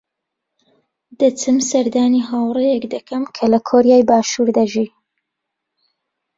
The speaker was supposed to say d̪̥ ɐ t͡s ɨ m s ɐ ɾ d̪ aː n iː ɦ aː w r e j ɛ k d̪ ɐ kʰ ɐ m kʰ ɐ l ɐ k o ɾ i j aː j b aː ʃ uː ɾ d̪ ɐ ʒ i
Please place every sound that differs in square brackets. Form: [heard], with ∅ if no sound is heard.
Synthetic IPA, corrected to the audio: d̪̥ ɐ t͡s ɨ m s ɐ ɾ d̪ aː n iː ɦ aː w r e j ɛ k d̪ ɐ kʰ ɐ m kʰ ɐ l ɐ [kʰ] o ɾ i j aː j b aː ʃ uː ɾ d̪ ɐ ʒ i